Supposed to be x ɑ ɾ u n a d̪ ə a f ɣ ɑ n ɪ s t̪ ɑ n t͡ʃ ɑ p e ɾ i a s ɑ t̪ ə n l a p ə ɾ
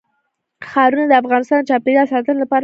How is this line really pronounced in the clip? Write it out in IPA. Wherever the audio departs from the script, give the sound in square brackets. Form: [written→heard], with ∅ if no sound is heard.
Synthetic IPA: x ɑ ɾ u n a d̪ ə a f ɣ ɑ n ɪ s t̪ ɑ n t͡ʃ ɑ p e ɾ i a s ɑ t̪ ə n l a p [ə→ɑ] ɾ